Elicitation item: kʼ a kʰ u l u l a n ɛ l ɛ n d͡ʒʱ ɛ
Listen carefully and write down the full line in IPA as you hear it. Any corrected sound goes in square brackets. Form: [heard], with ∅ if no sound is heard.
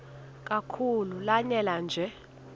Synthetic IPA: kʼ a kʰ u l u l a [ɲ] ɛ l [a] n d͡ʒʱ ɛ